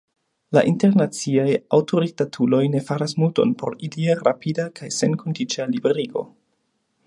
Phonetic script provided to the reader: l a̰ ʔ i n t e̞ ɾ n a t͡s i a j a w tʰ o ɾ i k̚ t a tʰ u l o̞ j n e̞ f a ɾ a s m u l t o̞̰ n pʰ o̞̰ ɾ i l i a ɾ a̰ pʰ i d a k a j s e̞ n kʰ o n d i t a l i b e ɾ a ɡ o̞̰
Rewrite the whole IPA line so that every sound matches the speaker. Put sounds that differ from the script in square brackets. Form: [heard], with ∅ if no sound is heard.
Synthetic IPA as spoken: l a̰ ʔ i n t e̞ ɾ n a t͡s i a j a w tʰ o ɾ i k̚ t a tʰ u l o̞ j n e̞ f a ɾ a s m u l t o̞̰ n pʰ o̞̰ ɾ i l i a ɾ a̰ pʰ i d a k a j s e̞ n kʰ o n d i [t͡ʃ] a l i b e ɾ [i] ɡ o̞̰